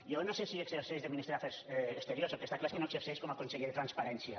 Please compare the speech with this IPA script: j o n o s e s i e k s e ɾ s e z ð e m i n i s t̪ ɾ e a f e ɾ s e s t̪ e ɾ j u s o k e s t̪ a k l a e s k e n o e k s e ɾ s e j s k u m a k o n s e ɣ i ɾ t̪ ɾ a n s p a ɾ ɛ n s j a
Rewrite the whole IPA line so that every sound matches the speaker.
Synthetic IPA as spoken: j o n o s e s i e k s e ɾ s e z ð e m i n i s t̪ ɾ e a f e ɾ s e s t̪ e ɾ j o s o k e s t̪ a k l a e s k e n o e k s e ɾ s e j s k o m a k o n s e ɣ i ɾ t̪ ɾ a n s p a ɾ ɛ n s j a